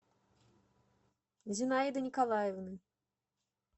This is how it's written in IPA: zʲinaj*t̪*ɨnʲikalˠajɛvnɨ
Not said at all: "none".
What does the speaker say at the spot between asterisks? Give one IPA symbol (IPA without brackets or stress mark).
d̪